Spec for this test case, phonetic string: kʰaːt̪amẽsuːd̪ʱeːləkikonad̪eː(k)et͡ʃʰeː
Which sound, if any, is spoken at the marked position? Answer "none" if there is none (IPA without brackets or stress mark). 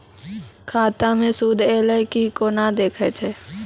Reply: kʰ